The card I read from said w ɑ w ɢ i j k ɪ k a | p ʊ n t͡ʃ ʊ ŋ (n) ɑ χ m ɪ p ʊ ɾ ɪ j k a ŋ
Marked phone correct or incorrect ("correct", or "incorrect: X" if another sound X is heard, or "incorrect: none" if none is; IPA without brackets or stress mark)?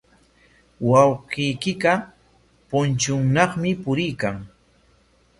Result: correct